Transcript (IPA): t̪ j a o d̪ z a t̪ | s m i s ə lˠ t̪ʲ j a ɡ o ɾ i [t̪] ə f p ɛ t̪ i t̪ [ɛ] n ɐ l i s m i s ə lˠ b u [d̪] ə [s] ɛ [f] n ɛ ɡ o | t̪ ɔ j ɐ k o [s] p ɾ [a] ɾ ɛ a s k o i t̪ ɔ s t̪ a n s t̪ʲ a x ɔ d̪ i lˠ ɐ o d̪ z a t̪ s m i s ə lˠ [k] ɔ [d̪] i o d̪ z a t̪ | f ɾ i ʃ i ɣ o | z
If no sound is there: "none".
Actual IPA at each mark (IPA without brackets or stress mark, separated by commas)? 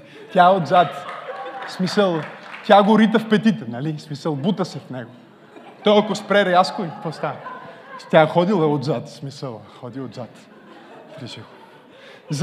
t̪, ɛ, t̪, s, f, s, ɛ, x, d̪